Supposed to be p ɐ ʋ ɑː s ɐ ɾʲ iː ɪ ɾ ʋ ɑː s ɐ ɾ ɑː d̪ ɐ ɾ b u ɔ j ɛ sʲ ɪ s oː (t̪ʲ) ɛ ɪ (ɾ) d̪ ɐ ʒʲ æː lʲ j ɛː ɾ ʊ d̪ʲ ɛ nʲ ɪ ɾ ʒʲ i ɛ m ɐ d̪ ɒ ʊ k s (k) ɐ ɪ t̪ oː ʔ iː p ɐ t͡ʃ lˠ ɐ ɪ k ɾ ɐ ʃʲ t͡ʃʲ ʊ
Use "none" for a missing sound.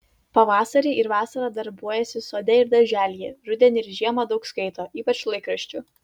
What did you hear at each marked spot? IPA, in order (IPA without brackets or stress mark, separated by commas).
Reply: d̪ʲ, ɾ, k